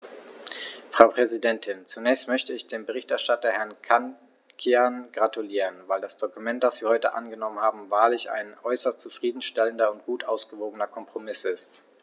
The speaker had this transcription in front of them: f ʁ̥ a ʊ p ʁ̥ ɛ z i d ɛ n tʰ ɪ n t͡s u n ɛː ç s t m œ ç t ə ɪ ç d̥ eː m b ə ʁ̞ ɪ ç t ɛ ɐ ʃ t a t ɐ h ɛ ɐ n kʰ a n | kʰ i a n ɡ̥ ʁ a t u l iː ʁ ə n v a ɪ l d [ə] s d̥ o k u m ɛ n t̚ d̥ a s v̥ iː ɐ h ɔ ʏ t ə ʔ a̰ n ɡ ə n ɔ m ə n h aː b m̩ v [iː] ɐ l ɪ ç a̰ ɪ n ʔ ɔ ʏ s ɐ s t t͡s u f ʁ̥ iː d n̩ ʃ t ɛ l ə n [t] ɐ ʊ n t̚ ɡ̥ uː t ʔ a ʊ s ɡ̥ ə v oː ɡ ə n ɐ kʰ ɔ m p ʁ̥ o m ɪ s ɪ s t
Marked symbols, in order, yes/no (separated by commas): no, no, no